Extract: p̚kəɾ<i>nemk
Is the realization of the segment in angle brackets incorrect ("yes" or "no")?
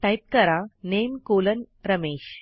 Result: yes